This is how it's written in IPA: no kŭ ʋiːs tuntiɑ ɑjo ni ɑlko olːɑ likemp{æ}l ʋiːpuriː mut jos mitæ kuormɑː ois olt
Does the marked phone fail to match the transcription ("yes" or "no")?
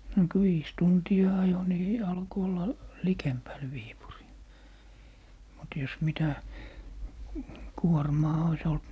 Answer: no